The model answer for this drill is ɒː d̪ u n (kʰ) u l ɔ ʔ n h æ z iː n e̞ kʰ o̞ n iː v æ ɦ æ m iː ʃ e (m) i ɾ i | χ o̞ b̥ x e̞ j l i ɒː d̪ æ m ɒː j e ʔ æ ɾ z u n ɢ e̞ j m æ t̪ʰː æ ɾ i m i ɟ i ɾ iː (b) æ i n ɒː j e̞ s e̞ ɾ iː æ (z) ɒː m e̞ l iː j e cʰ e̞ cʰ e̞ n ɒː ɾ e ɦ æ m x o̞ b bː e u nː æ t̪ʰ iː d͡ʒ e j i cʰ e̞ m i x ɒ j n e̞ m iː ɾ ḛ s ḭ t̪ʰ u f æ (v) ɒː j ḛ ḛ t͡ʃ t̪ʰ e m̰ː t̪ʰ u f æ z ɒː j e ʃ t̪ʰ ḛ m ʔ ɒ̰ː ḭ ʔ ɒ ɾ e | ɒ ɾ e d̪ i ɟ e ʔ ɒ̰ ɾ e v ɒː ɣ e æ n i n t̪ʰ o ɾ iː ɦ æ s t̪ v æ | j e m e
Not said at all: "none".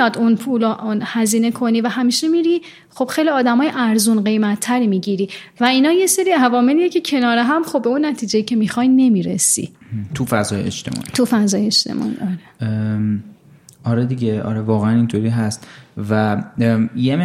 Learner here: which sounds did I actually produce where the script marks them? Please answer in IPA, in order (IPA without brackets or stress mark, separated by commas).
pʰ, m, v, v, z